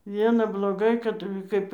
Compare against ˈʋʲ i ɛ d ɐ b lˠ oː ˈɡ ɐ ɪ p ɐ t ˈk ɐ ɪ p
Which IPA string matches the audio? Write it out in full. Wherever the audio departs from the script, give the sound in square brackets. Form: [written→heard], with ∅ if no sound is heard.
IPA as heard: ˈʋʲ i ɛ [d→n] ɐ b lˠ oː ˈɡ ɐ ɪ [p→k] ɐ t ˈk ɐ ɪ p